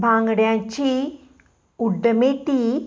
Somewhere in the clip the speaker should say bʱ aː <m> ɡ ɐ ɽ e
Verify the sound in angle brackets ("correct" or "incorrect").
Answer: incorrect